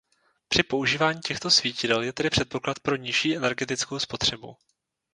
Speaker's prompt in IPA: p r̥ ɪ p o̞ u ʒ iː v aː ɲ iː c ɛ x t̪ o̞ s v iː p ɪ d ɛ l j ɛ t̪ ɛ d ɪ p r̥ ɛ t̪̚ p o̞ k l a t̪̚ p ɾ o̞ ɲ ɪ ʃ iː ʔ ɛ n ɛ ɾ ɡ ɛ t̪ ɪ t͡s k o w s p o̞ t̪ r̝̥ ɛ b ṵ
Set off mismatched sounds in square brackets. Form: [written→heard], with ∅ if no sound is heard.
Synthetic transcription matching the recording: p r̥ ɪ p o̞ u ʒ iː v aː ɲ iː c ɛ x t̪ o̞ s v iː [p→c] ɪ d ɛ l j ɛ t̪ ɛ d ɪ p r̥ ɛ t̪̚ p o̞ k l a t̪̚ p ɾ o̞ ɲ ɪ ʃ iː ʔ ɛ n ɛ ɾ ɡ ɛ t̪ ɪ t͡s k o w s p o̞ t̪ r̝̥ ɛ b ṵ